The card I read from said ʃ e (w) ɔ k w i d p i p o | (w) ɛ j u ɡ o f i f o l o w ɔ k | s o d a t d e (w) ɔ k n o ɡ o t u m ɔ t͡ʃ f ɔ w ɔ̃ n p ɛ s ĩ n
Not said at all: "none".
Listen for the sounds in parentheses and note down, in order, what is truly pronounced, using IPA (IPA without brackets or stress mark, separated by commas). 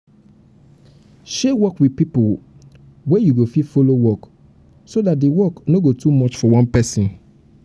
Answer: w, w, w